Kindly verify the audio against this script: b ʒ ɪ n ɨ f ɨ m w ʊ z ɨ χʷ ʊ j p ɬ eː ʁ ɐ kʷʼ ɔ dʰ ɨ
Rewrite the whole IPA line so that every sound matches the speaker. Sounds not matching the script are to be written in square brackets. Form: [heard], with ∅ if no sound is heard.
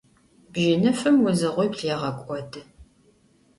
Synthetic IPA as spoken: b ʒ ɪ n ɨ f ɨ m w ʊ z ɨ [ʁʷ] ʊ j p ɬ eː ʁ ɐ kʷʼ ɔ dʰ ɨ